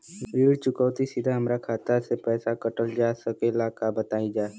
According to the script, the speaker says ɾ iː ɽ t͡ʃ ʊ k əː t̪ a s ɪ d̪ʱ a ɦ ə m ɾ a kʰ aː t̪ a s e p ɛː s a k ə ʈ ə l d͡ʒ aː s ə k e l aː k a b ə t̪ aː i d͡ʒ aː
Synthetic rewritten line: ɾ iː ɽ t͡ʃ ʊ k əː t̪ i s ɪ d̪ʱ a ɦ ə m ɾ a kʰ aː t̪ a s e p ɛː s a k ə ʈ ə l d͡ʒ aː s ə k e l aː k a b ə t̪ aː i d͡ʒ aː